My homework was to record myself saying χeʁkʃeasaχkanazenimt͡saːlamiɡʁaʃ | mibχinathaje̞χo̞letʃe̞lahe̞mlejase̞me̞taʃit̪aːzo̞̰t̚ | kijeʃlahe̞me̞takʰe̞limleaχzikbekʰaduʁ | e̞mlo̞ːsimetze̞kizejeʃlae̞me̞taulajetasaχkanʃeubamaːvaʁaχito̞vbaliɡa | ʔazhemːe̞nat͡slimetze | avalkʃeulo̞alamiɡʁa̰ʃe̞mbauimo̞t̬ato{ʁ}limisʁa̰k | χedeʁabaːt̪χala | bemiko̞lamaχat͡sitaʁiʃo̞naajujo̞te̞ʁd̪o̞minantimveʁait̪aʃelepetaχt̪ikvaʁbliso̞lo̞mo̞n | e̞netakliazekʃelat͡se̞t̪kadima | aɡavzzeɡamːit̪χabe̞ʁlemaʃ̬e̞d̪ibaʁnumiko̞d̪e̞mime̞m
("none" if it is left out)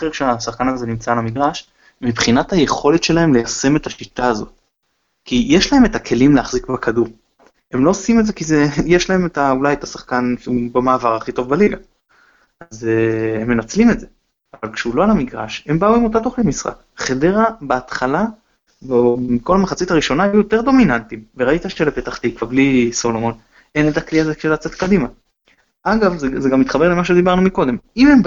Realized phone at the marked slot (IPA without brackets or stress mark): χ